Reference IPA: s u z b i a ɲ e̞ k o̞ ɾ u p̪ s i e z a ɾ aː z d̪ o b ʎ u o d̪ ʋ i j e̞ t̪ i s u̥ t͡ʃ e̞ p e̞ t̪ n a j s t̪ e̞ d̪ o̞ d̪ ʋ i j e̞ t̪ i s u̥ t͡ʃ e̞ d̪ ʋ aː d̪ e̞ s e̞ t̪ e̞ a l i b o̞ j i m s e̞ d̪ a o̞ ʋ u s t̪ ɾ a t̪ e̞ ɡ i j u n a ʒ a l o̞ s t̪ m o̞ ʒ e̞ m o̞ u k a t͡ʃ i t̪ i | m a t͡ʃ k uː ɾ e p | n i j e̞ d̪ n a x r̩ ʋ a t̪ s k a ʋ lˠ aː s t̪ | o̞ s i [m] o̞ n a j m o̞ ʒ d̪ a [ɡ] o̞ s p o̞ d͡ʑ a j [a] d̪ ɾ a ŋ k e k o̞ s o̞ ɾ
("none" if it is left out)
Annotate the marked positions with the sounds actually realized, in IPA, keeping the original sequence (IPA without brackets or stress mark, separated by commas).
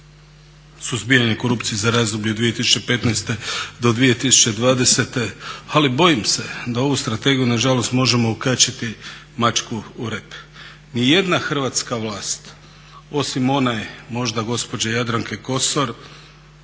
m, ɡ, a